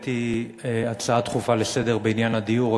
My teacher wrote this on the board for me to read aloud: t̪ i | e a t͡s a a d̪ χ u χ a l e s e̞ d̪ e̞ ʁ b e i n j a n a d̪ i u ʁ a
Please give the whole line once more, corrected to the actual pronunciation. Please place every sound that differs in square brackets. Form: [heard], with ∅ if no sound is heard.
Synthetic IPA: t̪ i | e a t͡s a a [t̪] χ u [f] a l e s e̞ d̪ e̞ ʁ b e i n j a n a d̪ i u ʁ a